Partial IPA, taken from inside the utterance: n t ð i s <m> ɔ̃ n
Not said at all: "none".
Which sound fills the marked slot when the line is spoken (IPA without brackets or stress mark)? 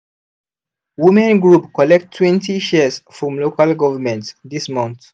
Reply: m